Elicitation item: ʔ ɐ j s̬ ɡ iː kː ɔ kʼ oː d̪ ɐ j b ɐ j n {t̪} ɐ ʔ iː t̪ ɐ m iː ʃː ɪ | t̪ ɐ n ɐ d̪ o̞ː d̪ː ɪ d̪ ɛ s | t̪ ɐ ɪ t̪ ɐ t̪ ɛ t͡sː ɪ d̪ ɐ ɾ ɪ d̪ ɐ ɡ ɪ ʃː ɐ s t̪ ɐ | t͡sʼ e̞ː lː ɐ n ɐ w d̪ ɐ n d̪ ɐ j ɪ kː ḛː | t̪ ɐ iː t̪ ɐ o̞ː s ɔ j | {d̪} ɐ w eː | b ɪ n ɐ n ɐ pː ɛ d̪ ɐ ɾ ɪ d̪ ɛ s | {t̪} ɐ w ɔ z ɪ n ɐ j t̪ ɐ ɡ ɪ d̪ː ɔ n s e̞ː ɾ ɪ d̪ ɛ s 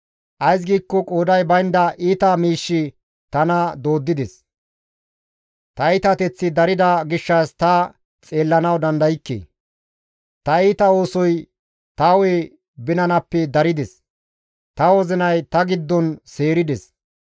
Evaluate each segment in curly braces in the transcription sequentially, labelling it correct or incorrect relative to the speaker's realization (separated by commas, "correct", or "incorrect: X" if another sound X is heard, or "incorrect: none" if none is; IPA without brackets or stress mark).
incorrect: d̪, incorrect: t̪, correct